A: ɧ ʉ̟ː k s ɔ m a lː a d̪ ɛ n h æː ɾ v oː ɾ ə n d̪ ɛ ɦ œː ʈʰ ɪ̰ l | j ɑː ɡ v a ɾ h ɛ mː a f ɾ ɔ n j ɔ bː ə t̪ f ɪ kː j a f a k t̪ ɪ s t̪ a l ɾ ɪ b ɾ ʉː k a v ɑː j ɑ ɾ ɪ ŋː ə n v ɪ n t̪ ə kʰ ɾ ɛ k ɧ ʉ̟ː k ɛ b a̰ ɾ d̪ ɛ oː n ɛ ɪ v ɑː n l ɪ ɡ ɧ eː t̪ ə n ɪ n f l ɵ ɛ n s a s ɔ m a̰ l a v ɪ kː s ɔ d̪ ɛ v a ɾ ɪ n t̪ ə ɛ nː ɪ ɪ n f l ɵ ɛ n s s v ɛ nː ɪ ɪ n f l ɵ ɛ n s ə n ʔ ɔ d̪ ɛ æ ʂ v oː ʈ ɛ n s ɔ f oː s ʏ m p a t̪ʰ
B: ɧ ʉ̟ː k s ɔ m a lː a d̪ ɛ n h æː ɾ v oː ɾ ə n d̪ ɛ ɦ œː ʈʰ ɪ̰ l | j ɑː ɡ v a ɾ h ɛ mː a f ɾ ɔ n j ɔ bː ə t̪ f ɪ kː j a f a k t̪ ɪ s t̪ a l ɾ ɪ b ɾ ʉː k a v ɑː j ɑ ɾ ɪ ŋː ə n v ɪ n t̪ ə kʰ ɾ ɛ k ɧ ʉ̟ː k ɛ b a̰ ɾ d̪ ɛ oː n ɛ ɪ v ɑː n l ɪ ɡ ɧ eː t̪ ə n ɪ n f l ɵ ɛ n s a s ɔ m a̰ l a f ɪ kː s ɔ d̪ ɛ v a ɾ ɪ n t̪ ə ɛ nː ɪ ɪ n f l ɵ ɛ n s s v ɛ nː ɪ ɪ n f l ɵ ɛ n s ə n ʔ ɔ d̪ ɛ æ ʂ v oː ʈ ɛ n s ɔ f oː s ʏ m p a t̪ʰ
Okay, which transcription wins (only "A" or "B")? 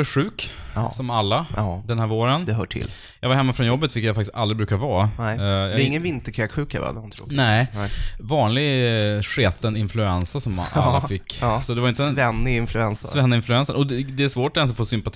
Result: B